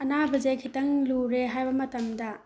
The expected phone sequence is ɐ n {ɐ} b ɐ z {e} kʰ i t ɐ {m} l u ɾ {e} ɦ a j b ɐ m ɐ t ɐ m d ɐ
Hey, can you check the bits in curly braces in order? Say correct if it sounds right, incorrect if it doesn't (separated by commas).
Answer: incorrect, correct, incorrect, correct